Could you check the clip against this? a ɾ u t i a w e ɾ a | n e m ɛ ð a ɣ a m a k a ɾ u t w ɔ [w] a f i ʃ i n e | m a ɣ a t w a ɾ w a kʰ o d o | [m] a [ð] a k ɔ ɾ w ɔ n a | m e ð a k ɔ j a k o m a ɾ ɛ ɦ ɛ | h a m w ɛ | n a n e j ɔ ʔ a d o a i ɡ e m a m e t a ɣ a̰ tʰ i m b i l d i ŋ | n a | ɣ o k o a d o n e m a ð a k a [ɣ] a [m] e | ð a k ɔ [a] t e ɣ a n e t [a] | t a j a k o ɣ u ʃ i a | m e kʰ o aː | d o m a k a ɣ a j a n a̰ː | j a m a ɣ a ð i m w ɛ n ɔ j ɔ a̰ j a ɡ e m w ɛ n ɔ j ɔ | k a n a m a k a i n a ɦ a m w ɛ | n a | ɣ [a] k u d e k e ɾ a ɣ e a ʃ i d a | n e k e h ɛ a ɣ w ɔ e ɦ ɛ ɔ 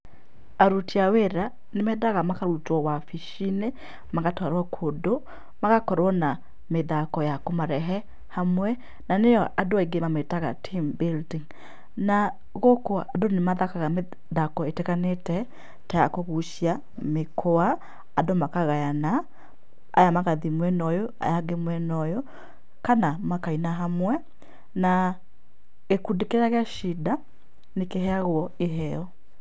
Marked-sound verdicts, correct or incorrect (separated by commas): correct, correct, incorrect, correct, correct, incorrect, incorrect, incorrect